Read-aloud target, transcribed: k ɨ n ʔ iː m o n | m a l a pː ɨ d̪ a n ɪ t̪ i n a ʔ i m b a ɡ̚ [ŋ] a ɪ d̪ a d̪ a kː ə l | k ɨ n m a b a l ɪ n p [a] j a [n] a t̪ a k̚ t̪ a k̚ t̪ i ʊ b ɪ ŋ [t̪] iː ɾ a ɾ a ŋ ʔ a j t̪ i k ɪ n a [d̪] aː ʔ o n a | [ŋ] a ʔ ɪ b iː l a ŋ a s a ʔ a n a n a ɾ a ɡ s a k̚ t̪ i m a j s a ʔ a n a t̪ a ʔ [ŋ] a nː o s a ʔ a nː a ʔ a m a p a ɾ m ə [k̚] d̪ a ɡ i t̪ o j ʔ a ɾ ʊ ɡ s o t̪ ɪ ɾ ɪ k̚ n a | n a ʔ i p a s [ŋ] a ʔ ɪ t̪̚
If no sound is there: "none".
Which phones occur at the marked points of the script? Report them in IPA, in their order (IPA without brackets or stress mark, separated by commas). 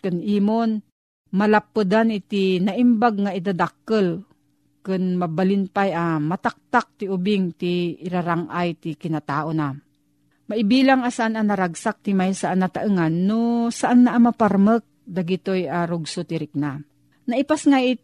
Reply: ŋ, a, m, t̪, t̪, m, ŋ, k̚, ŋ